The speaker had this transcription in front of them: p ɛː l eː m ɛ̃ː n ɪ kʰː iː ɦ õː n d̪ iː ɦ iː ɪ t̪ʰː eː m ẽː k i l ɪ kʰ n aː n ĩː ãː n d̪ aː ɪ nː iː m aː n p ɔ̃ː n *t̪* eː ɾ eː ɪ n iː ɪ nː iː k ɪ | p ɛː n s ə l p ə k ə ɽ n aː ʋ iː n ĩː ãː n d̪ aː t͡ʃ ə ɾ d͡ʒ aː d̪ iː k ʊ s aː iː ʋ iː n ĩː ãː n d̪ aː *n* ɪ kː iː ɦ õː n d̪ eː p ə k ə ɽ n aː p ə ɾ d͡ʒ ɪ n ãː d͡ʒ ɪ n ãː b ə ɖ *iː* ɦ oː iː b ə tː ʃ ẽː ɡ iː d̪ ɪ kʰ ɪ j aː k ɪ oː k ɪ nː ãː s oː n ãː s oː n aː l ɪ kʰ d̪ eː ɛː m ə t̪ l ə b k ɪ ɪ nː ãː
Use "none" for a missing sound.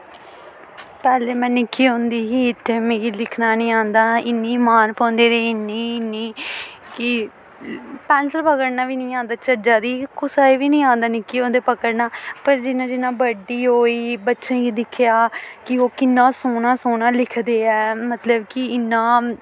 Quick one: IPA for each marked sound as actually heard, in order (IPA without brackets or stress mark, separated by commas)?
d̪, n, iː